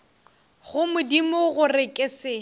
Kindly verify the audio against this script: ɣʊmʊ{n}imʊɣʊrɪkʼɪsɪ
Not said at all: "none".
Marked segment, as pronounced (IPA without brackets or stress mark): d